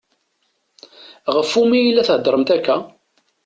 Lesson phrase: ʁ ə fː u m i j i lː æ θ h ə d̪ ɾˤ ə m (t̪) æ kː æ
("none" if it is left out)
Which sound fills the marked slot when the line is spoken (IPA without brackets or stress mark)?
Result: t̪